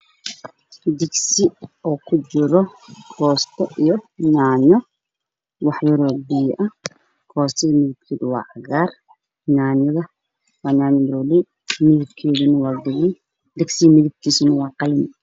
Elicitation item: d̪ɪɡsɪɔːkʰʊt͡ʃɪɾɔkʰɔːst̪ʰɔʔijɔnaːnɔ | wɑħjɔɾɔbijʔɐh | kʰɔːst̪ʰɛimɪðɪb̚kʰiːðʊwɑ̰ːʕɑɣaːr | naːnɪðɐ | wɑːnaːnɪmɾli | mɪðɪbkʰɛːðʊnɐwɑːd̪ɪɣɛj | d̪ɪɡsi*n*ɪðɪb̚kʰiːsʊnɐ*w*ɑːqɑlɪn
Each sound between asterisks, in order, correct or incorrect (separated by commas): incorrect, correct